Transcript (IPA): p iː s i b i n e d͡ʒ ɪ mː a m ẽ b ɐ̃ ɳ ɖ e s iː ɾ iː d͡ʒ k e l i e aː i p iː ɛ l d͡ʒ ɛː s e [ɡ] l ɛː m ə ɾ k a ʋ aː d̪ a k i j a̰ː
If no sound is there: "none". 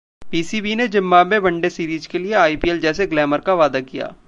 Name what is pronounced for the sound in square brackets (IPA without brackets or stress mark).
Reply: ɡ